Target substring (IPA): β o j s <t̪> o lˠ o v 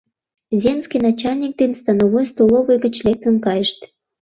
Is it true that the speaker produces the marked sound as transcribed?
yes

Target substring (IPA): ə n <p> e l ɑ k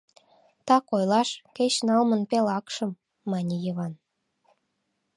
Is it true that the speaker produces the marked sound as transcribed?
yes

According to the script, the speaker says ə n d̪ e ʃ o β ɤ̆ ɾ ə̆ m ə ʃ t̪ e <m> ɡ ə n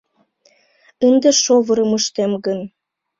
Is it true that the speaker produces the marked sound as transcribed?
yes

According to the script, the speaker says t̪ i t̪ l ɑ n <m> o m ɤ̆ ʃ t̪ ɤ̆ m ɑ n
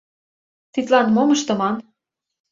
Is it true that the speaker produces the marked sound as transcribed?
yes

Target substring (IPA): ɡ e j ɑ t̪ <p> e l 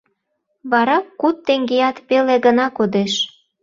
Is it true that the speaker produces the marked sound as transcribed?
yes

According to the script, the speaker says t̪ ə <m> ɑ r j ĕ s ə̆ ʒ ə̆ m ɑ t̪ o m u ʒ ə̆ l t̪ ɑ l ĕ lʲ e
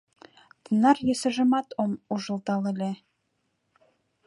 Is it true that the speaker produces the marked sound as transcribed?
no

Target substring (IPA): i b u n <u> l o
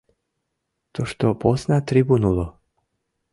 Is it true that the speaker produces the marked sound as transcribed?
yes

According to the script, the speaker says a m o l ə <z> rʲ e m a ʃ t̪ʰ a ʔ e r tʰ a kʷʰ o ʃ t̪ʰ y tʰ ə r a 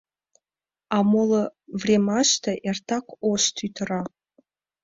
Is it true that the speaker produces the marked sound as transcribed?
no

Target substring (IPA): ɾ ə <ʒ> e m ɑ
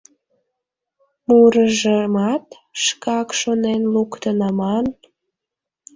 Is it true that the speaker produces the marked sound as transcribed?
yes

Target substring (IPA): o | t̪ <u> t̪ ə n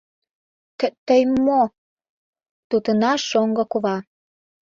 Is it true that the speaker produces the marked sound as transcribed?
yes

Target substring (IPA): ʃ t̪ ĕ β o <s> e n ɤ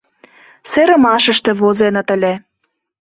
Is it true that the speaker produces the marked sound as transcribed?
no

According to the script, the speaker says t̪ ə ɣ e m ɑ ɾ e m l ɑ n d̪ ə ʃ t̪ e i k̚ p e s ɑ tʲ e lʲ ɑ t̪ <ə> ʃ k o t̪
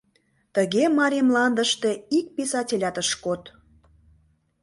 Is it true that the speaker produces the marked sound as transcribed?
yes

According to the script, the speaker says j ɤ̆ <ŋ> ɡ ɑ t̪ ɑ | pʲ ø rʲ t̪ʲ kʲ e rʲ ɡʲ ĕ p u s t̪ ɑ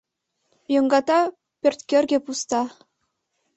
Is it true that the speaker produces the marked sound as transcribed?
yes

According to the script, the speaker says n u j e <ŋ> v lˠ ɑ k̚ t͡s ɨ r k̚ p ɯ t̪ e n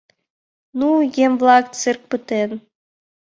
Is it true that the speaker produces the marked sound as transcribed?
no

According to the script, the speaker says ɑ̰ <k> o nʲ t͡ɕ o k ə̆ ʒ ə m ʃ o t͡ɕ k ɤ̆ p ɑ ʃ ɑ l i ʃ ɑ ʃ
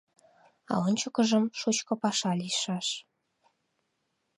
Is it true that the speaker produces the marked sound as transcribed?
no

